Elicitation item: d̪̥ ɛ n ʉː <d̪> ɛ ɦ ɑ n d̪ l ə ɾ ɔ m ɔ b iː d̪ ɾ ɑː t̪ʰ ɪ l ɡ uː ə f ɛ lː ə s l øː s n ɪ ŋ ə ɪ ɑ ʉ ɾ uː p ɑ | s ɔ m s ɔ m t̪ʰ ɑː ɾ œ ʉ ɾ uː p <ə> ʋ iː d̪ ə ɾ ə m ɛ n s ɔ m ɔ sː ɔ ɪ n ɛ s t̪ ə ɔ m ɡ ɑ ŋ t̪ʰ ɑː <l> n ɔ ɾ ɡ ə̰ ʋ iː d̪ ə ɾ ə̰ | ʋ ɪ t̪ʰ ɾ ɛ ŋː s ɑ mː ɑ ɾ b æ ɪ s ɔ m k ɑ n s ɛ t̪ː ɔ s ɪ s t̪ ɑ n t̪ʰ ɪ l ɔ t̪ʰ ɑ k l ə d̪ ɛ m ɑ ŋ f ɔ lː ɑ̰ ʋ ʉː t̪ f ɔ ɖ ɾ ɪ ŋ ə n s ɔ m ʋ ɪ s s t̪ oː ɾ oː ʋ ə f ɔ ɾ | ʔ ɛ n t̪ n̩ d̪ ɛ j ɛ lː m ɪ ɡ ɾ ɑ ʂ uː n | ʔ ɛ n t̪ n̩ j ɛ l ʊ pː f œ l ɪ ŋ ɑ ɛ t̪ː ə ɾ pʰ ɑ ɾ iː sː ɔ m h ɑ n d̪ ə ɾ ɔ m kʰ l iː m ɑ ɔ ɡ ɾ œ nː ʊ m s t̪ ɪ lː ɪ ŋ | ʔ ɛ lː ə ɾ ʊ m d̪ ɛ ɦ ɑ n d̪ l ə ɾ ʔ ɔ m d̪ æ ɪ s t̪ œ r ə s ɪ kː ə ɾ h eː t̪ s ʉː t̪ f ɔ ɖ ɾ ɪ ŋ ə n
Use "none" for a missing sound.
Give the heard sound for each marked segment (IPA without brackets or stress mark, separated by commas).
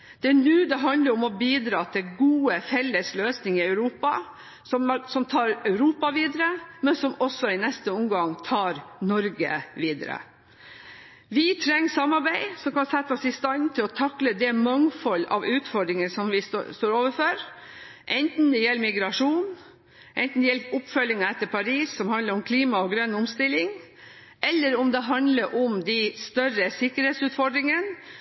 d̪, ɑ, ɾ